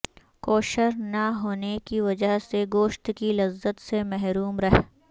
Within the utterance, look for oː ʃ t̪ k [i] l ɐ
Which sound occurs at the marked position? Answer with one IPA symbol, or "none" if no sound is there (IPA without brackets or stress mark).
i